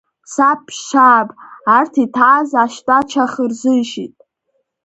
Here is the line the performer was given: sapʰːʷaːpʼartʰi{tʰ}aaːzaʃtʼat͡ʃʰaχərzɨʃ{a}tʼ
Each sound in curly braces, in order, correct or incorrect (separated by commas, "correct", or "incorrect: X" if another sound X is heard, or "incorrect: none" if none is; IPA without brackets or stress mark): correct, incorrect: i